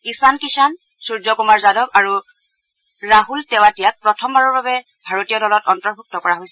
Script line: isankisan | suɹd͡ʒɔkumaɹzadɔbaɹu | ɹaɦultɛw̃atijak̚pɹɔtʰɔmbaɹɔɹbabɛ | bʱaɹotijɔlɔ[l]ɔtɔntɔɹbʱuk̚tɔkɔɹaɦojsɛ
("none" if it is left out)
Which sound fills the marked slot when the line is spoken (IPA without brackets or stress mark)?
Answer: l